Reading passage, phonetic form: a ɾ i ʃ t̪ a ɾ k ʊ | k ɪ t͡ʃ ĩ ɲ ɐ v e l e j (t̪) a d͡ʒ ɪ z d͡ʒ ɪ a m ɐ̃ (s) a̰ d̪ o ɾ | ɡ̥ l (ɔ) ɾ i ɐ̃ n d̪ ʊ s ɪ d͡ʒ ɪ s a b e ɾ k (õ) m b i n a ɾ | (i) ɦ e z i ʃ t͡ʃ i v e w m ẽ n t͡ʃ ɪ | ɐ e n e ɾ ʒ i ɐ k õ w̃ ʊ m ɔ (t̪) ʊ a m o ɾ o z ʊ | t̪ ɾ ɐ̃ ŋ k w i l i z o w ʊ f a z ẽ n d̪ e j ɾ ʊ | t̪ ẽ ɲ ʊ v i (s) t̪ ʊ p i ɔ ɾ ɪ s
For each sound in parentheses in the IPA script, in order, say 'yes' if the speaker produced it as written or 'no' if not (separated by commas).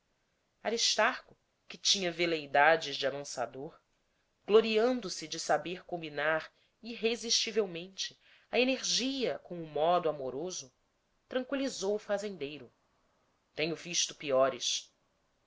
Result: no, yes, no, yes, yes, no, no